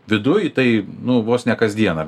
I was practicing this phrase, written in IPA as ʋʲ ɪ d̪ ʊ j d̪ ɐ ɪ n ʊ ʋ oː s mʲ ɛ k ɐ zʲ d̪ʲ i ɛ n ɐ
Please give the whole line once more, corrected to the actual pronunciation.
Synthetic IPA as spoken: ʋʲ ɪ d̪ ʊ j t̪ ɐ ɪ n ʊ ʋ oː s nʲ ɛ k ɐ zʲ d̪ʲ i ɛ n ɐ